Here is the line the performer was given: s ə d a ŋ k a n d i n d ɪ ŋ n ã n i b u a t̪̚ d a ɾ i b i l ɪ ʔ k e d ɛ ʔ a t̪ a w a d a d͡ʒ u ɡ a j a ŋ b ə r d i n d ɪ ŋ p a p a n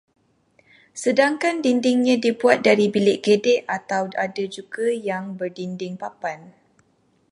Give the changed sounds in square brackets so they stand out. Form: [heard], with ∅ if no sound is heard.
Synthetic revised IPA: s ə d a ŋ k a n d i n d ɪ ŋ [ɲ] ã [d] i b u a t̪̚ d a ɾ i b i l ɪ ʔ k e d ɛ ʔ a t̪ a w a d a d͡ʒ u ɡ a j a ŋ b ə r d i n d ɪ ŋ p a p a n